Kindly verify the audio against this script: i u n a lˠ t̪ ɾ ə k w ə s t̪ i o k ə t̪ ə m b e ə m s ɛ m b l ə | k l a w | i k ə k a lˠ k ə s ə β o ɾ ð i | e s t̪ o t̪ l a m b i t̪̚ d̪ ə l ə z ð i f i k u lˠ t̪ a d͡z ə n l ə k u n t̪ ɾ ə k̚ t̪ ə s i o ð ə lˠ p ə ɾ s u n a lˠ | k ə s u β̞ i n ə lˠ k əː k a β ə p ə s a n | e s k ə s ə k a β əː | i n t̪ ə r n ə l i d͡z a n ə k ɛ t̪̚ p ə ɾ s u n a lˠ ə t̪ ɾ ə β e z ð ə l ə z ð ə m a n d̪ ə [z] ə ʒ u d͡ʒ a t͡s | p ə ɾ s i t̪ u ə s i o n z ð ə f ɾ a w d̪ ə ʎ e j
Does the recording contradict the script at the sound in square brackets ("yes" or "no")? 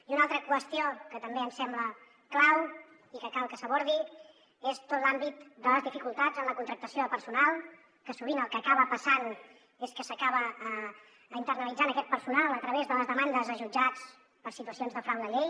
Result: no